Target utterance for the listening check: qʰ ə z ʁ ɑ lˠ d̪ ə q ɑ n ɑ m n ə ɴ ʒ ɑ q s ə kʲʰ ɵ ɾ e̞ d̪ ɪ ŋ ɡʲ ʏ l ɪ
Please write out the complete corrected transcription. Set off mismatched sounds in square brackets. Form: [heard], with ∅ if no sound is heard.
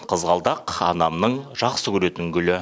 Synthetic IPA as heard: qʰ ə z ʁ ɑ lˠ d̪ [ɑ] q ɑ n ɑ m n ə ɴ ʒ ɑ q s ə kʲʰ ɵ ɾ e̞ [t̪] ɪ ŋ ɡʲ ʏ l ɪ